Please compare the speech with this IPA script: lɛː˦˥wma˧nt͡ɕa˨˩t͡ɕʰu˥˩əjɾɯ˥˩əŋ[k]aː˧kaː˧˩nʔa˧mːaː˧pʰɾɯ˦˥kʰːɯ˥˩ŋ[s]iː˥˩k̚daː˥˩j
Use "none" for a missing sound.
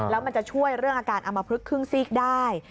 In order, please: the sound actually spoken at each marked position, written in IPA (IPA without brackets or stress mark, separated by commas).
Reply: ʔ, s